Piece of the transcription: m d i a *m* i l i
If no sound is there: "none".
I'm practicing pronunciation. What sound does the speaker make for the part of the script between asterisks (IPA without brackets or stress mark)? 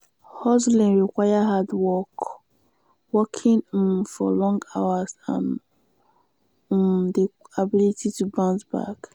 b